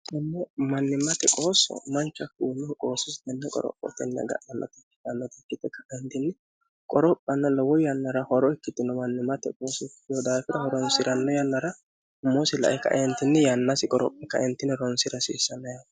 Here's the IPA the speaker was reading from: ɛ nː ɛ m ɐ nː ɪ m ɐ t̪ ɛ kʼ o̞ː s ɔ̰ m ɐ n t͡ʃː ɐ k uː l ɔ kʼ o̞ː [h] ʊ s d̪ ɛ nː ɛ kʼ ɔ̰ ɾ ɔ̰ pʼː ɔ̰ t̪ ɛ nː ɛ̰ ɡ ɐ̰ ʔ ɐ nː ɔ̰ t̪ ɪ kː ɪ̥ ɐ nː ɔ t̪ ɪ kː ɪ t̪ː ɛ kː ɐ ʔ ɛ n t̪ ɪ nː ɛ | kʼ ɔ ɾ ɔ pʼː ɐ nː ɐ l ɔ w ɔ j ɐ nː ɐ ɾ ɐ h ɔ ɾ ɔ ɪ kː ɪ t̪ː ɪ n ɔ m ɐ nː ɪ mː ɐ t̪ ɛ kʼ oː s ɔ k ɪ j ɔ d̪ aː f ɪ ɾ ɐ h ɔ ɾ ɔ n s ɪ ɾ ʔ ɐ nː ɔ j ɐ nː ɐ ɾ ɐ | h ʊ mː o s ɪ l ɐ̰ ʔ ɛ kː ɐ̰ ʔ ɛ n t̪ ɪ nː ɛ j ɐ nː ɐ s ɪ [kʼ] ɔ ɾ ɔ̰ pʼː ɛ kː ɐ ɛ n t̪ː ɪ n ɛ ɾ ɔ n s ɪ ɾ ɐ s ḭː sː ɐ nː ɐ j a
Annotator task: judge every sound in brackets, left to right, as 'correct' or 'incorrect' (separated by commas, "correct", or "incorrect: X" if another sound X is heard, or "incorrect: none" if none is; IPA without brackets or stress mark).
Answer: incorrect: s, correct